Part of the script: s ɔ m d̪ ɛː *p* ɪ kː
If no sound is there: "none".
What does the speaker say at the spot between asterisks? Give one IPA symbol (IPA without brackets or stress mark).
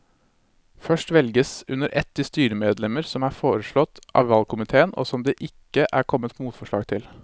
ʔ